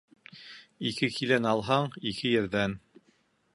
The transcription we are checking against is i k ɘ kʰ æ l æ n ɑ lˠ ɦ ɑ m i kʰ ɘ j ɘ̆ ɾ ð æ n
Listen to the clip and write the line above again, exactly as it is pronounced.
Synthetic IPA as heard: i k ɘ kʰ i l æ n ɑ lˠ ɦ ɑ ɴ i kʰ ɘ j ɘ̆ ɾ ð æ n